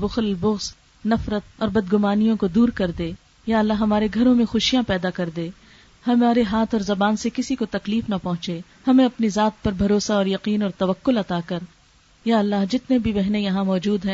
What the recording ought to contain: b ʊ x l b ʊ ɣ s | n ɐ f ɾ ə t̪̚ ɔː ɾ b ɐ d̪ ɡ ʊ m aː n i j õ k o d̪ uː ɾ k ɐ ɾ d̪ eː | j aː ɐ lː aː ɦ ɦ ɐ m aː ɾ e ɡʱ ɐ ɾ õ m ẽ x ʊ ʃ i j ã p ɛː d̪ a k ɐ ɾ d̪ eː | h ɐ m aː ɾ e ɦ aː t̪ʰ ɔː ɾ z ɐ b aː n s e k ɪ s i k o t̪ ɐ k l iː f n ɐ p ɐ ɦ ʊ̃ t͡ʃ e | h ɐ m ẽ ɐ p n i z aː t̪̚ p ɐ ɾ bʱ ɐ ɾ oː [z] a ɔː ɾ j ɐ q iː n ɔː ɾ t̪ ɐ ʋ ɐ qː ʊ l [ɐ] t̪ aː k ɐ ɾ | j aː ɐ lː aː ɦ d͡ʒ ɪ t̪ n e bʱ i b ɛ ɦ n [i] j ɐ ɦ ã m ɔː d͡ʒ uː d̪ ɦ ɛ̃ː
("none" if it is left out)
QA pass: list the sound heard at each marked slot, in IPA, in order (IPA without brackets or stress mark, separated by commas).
s, ɐ, e